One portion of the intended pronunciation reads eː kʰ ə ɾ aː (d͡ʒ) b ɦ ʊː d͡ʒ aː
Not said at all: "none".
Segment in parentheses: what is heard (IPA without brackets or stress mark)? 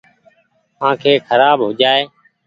none